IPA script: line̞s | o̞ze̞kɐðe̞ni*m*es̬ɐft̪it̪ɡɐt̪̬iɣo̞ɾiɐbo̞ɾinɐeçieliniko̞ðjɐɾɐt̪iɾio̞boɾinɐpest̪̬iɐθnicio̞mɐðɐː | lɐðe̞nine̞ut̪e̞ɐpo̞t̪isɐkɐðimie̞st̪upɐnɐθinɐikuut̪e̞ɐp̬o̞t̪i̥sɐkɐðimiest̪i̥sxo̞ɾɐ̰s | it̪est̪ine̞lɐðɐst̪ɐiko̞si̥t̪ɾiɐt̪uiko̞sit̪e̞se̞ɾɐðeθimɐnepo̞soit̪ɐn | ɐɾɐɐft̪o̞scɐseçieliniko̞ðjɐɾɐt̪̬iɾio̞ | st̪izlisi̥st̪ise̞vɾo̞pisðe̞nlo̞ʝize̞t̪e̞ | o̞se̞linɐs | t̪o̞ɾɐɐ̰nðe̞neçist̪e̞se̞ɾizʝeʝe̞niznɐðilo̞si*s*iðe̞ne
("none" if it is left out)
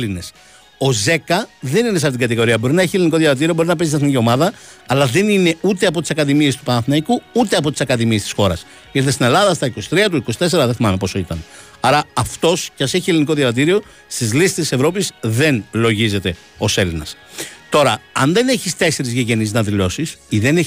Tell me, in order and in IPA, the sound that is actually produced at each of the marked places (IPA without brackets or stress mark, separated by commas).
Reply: n, s